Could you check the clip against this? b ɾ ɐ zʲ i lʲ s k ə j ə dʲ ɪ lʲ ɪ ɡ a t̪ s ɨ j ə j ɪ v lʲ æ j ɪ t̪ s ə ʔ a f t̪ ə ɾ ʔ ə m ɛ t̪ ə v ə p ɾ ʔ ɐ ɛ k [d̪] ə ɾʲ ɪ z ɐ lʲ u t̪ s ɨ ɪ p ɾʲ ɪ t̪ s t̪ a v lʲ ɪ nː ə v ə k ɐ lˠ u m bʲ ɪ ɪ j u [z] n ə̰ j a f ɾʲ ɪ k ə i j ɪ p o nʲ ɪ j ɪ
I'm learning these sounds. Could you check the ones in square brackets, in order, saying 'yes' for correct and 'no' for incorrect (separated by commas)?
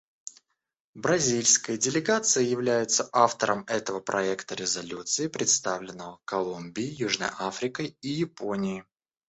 no, no